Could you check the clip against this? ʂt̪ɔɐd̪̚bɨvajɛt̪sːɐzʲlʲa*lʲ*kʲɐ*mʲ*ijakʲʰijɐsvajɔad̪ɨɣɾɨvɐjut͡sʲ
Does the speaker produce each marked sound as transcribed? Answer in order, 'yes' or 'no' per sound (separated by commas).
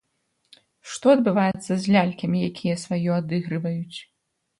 yes, yes